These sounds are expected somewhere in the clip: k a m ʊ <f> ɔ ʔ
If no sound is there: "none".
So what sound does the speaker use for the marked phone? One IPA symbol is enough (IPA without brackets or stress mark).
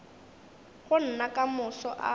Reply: s